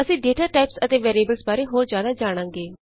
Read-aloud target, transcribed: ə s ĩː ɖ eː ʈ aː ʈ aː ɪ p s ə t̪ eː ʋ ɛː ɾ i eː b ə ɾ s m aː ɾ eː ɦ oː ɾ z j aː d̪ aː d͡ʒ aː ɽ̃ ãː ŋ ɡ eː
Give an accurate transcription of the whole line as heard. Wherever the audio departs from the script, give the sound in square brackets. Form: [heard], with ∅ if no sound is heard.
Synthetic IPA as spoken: ə s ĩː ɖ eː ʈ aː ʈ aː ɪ p s ə t̪ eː ʋ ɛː ɾ i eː b ə [l] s [b] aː ɾ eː ɦ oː ɾ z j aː d̪ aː d͡ʒ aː ɽ̃ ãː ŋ ɡ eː

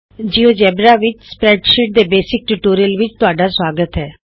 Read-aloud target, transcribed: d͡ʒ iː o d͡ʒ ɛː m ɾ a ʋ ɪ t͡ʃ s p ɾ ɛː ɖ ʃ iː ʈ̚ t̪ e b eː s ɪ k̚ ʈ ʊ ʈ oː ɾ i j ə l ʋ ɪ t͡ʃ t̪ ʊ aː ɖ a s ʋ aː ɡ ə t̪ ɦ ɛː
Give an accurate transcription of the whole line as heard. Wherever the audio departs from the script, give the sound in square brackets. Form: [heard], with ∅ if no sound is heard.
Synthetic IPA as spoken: d͡ʒ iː o d͡ʒ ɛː [b] ɾ a ʋ ɪ t͡ʃ s p ɾ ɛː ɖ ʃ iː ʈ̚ [d̪] e b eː s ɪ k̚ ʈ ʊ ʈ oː ɾ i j ə l ʋ ɪ t͡ʃ t̪ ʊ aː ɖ a s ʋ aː ɡ ə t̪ ɦ ɛː

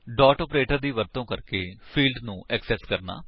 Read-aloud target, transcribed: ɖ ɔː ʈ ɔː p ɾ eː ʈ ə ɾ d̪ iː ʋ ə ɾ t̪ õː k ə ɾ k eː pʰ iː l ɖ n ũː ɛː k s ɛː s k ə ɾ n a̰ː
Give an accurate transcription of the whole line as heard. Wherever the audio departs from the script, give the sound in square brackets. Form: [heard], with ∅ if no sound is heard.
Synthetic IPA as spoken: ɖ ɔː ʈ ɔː p ɾ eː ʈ ə ɾ d̪ iː ʋ ə ɾ t̪ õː k ə ɾ k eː pʰ iː l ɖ n ũː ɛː k s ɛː s k ə ɾ n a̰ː

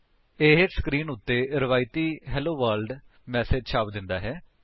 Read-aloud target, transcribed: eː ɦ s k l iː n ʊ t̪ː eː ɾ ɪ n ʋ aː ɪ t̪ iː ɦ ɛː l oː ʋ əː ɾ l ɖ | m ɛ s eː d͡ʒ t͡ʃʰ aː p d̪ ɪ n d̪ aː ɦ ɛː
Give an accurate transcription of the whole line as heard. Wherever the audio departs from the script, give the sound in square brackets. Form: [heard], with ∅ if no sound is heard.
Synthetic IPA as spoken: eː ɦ s k [ɾ] iː n ʊ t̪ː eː ɾ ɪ [∅] ʋ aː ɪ t̪ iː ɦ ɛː l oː ʋ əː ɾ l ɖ | m [ɛː] s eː d͡ʒ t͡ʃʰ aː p d̪ ɪ n d̪ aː ɦ ɛː

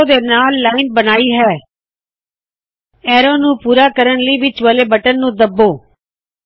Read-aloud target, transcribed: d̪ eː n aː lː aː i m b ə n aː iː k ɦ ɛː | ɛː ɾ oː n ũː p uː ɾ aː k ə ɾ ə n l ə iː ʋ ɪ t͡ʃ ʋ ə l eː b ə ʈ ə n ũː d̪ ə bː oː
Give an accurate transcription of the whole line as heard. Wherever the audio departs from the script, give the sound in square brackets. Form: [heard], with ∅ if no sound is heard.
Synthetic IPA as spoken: d̪ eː n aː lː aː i [n] b ə n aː iː [∅] ɦ ɛː | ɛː ɾ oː n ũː p uː ɾ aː k ə ɾ ə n l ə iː ʋ ɪ t͡ʃ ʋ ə l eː b ə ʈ ə [nː] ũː d̪ ə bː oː

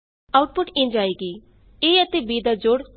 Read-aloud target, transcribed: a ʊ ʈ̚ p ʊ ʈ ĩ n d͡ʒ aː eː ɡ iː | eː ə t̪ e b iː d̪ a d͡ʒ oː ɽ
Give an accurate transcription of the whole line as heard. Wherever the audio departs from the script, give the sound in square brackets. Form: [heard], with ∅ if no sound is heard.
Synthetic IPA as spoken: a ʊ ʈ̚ p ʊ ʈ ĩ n d͡ʒ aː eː ɡ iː | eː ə t̪ e b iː d̪ a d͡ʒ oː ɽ

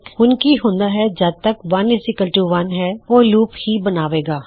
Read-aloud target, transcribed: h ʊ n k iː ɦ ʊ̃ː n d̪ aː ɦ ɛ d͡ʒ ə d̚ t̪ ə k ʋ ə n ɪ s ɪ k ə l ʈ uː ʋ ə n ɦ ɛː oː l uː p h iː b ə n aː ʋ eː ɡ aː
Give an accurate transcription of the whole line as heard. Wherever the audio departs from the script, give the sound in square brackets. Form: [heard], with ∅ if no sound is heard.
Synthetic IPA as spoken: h ʊ n k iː ɦ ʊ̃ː n d̪ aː ɦ ɛ d͡ʒ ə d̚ t̪ ə k ʋ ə n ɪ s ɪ k ə l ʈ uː ʋ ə n ɦ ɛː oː l uː p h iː b ə n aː ʋ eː ɡ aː

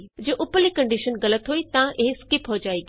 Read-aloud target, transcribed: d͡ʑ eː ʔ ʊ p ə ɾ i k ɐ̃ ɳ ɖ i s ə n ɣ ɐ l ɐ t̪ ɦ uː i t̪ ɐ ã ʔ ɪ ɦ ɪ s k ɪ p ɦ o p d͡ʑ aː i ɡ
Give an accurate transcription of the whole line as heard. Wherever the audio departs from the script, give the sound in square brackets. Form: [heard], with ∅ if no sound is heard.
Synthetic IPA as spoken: d͡ʑ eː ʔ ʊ p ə [l] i k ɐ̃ ɳ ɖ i [ʃ] ə n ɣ ɐ l [ə] t̪ ɦ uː i t̪ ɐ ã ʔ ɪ ɦ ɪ s k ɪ p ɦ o [∅] d͡ʑ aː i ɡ

